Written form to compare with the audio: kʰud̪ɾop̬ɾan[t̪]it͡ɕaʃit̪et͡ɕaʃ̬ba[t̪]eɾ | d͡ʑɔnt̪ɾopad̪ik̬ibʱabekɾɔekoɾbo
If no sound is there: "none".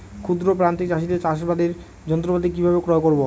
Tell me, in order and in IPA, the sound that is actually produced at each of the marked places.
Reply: t̪, d̪

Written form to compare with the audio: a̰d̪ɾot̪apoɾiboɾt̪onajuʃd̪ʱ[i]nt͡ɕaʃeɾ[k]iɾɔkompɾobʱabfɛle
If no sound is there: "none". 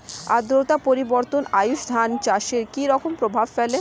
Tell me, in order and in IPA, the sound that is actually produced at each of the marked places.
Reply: a, k

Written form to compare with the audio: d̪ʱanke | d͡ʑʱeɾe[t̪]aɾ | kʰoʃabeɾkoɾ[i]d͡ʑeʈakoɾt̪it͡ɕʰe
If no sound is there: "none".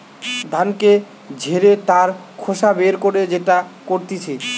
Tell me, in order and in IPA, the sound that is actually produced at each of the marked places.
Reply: t̪, e

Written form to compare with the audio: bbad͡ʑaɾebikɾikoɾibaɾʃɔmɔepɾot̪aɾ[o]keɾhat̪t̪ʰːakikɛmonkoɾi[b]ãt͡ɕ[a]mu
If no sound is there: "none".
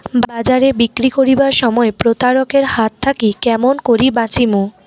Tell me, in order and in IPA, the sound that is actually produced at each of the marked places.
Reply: o, b, i

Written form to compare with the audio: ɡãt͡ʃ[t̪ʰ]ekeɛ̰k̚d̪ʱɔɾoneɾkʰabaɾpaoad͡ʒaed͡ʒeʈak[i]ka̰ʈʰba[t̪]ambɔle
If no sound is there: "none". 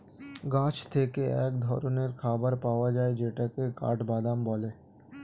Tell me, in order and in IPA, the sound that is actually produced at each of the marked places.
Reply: t̪ʰ, e, d̪

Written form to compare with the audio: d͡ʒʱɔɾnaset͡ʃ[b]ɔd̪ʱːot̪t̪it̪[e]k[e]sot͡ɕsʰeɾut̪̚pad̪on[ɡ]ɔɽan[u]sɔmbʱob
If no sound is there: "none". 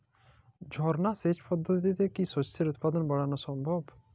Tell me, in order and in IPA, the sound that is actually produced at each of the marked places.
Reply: p, e, i, b, o

